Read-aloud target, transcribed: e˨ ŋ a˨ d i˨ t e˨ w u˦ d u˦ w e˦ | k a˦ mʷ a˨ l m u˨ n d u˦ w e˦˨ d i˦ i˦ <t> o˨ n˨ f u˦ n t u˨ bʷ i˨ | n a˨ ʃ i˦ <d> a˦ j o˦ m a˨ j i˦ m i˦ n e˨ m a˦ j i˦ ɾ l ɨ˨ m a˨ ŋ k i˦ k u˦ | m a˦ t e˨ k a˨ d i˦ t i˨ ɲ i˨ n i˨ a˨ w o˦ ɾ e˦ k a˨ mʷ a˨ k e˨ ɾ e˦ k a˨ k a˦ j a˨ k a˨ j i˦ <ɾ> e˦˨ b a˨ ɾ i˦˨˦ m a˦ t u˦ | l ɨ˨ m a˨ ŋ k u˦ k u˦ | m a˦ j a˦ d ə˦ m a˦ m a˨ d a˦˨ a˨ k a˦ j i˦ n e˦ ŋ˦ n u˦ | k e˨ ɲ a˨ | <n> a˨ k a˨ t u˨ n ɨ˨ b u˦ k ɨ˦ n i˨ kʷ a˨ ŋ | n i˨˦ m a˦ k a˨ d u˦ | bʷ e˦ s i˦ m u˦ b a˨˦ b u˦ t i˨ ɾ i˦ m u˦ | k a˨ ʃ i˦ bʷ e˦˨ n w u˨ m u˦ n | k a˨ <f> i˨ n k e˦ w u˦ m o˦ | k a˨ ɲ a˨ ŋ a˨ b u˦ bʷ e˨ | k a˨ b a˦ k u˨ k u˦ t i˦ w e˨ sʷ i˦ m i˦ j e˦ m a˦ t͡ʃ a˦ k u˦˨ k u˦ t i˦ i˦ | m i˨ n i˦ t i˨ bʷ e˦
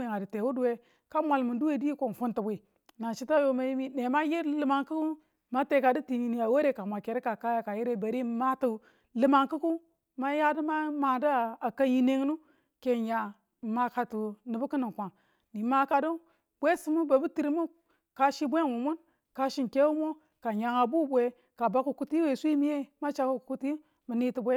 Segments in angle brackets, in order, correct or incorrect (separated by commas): incorrect, incorrect, correct, incorrect, incorrect